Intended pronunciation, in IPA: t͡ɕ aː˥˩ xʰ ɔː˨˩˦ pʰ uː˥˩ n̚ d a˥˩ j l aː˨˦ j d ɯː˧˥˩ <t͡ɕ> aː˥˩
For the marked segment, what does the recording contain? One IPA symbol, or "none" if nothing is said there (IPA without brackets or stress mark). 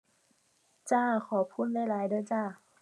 t͡ɕ